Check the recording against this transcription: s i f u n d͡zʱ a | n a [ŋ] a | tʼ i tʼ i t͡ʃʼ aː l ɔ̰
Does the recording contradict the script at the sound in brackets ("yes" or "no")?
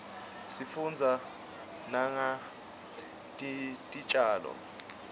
no